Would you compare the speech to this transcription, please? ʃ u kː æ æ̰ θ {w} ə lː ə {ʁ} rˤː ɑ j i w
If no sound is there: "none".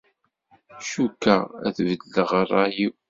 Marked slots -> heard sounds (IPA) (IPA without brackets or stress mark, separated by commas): v, ʁ